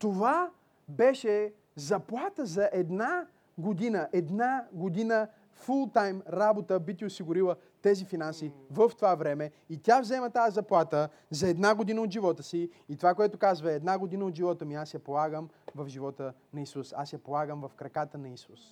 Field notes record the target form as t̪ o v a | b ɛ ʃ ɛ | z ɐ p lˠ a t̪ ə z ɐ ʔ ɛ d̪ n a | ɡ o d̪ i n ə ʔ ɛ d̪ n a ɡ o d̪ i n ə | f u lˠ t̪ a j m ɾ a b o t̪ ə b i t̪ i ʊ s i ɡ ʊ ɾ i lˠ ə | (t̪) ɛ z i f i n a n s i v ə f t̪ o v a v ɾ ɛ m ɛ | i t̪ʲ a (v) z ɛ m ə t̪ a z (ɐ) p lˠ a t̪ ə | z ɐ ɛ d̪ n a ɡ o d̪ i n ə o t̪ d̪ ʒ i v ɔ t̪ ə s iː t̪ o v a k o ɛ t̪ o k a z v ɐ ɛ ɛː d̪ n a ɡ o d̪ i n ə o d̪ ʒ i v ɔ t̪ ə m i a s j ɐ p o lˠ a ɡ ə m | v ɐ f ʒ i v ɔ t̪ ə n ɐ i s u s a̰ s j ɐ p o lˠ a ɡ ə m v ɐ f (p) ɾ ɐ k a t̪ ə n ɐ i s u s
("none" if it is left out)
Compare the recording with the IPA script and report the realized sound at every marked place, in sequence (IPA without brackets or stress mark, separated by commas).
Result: t̪, v, ɐ, k